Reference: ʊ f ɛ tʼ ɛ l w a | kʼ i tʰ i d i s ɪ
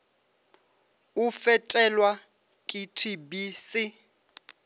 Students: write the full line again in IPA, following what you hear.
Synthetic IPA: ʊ f ɛ tʼ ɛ l w a | kʼ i tʰ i b i s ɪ